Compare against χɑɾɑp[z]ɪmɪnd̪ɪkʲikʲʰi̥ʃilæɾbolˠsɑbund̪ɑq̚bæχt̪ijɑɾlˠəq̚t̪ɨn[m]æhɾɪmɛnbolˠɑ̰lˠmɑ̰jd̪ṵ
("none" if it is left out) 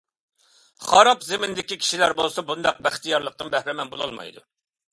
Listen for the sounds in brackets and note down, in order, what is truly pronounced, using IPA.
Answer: z, b

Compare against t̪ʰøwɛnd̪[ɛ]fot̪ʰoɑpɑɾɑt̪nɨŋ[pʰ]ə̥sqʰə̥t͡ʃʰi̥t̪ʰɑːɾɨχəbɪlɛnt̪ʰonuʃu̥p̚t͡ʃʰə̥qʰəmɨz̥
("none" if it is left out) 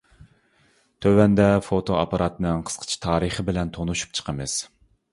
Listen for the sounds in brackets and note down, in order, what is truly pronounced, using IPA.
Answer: ɛ, qʰ

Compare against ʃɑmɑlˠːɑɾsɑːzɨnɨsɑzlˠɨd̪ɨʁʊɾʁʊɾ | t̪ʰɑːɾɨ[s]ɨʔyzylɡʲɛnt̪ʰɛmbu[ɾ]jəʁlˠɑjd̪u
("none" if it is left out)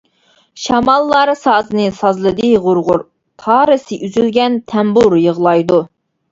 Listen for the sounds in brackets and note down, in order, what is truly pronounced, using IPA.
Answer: s, ɾ

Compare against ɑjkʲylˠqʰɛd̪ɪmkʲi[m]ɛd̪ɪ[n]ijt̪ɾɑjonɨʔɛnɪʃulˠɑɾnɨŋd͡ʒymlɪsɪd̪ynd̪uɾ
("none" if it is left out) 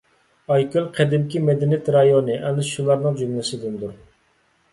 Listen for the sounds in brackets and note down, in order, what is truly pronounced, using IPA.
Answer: m, n

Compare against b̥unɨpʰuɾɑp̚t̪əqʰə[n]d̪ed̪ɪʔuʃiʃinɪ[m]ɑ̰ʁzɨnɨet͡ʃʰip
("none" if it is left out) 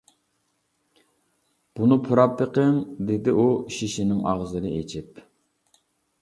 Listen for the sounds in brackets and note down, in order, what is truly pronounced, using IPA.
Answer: ŋ, ŋ

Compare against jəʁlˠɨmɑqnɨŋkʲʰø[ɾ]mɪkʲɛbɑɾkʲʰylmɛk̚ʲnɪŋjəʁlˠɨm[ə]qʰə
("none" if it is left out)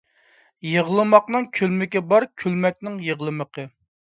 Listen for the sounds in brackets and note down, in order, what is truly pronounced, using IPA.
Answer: l, ə

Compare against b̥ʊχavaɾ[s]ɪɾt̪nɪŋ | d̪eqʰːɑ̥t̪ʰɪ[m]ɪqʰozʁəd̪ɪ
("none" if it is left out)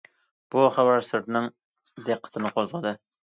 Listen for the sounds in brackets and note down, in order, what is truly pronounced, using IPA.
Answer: s, n

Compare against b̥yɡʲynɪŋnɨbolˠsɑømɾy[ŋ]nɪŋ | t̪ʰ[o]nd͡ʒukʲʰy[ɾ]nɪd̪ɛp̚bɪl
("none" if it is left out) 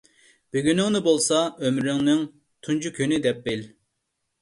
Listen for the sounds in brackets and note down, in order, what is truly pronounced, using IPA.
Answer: ŋ, u, none

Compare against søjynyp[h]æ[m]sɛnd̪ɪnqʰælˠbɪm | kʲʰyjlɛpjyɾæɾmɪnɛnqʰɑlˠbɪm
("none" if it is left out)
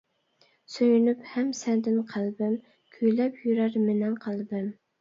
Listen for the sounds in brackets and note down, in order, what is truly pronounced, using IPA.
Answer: h, m

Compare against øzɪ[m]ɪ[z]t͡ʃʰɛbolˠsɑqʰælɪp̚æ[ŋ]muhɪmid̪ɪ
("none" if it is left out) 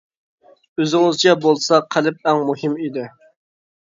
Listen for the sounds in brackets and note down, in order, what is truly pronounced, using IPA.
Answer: ŋ, z, ŋ

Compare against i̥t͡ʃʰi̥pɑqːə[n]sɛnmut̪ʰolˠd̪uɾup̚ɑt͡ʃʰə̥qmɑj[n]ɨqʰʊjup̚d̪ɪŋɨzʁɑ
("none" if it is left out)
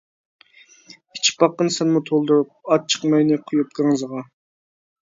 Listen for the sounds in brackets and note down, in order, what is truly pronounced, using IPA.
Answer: n, n

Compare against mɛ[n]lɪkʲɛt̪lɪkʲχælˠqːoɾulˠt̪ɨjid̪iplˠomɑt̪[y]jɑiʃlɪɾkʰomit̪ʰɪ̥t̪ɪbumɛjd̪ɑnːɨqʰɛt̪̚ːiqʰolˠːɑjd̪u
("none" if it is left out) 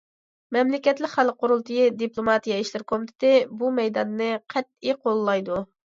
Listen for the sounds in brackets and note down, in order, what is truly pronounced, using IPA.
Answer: m, i

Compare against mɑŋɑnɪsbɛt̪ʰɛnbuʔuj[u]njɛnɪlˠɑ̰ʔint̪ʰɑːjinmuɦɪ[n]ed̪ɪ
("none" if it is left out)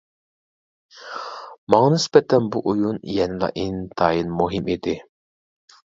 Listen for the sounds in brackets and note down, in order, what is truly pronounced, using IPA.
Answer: u, m

